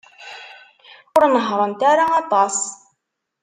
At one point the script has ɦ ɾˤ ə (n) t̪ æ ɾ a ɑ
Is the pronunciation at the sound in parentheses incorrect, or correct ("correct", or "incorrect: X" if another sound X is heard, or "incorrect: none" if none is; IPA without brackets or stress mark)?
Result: correct